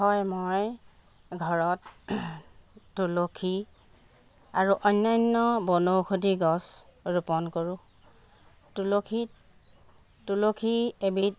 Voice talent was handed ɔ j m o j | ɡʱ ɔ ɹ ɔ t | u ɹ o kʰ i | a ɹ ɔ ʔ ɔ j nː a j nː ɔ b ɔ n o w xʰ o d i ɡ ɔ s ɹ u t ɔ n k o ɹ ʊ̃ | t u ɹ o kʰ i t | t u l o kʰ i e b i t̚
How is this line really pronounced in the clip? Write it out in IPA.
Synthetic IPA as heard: ɔ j m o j | ɡʱ ɔ ɹ ɔ t | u l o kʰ i | a ɹ u ʔ ɔ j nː a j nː ɔ b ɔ n o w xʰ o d i ɡ ɔ s ɹ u p ɔ n k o ɹ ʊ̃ | t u l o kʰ i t | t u l o kʰ i e b i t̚